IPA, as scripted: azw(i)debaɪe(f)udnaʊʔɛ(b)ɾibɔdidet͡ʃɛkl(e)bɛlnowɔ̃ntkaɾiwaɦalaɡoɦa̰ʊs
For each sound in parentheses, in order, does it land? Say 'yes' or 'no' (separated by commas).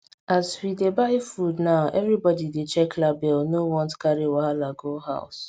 yes, yes, no, no